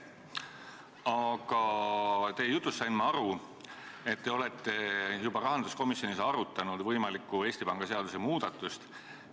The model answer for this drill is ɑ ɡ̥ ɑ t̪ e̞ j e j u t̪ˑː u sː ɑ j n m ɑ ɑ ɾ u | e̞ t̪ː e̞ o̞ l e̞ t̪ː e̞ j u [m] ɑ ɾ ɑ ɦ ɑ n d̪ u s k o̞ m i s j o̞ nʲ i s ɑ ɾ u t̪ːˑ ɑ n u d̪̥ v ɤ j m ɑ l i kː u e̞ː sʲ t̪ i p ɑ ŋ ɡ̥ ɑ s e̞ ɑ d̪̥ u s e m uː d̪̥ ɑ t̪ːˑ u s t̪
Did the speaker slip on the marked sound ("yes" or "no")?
yes